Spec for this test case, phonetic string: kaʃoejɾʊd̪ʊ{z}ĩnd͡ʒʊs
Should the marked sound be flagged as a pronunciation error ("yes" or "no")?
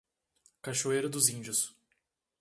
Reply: no